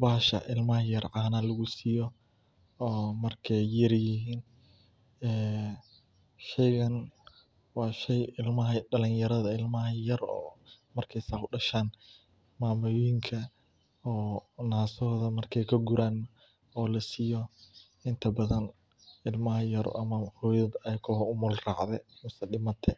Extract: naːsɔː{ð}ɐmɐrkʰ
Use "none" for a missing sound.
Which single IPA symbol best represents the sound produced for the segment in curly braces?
ð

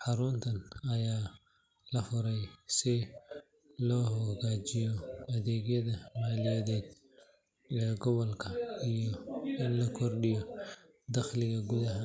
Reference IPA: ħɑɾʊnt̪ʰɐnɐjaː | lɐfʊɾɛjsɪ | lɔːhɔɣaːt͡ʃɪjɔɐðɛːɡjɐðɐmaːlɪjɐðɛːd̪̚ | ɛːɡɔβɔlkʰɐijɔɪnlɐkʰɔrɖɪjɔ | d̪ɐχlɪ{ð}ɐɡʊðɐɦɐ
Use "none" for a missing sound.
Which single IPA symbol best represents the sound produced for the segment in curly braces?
ɣ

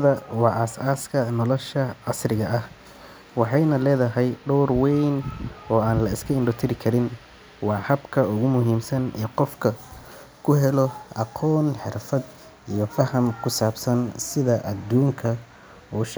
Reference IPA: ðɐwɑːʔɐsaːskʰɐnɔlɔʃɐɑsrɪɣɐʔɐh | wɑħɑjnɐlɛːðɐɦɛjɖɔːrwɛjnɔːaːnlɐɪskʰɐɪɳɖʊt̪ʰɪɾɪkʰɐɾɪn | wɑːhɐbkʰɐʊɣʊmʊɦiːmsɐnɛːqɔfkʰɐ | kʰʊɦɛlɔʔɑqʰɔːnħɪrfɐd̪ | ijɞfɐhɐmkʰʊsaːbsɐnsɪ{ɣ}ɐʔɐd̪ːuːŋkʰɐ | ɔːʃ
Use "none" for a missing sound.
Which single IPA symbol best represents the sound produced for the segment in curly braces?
ð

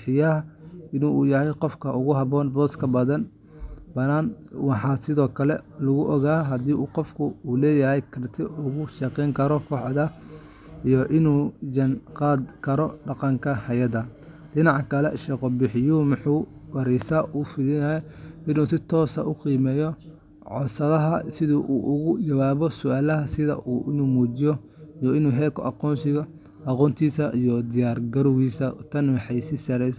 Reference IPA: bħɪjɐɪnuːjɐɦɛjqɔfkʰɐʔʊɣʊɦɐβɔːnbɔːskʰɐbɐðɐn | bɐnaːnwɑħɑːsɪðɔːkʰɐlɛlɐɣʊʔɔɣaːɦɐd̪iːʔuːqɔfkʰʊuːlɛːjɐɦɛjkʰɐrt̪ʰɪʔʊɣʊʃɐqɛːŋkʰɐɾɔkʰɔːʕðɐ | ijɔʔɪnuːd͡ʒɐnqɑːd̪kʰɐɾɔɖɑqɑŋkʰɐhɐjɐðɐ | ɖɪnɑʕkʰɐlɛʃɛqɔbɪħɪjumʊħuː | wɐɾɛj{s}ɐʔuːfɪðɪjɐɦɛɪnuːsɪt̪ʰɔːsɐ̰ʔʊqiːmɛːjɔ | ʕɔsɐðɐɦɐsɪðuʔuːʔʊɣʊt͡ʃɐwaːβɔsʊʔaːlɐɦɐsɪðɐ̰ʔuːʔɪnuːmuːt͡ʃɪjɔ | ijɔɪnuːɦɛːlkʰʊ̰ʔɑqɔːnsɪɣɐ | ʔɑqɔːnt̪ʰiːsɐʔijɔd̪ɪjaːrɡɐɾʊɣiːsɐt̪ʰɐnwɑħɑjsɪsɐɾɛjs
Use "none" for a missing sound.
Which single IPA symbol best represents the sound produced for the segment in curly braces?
s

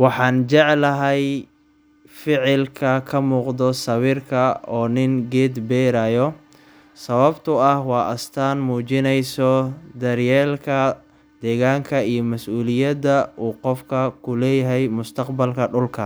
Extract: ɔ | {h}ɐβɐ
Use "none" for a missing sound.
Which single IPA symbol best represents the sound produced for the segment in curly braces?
s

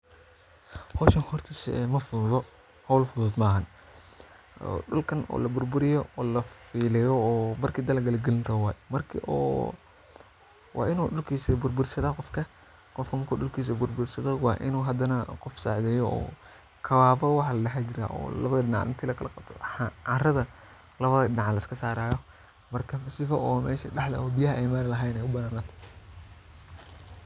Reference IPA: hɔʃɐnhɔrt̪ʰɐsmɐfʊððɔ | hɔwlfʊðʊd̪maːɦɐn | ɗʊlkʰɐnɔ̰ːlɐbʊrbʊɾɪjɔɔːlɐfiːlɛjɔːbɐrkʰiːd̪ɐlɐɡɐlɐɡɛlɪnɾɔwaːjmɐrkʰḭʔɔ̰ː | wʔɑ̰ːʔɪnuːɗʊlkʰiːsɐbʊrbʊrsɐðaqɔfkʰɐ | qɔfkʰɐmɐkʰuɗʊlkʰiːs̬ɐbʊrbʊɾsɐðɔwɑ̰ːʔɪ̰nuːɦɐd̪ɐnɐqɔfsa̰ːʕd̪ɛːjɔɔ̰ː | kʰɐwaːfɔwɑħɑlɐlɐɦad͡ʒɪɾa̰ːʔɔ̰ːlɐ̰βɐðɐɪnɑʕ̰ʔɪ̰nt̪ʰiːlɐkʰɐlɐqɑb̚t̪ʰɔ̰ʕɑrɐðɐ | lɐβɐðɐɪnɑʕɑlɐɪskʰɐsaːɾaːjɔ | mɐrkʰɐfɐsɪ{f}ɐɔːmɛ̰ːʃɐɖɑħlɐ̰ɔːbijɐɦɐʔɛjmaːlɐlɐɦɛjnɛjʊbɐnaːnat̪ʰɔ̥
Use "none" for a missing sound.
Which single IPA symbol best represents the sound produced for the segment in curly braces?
f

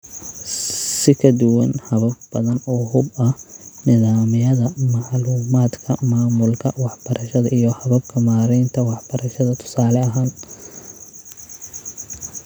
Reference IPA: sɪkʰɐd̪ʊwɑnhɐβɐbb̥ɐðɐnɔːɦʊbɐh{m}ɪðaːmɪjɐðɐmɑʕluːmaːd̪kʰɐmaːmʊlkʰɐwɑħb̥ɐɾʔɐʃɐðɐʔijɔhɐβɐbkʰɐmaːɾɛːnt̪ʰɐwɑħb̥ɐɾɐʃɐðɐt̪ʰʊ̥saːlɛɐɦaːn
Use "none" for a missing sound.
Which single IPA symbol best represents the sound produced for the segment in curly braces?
n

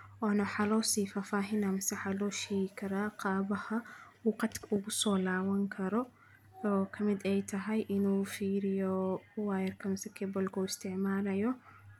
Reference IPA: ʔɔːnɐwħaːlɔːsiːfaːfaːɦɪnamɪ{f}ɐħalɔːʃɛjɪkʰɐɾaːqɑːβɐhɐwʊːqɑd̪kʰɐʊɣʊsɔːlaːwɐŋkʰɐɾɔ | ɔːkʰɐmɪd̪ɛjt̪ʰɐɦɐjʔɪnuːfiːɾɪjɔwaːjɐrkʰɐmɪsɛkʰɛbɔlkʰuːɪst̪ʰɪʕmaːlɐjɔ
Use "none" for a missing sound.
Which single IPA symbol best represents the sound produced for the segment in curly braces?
s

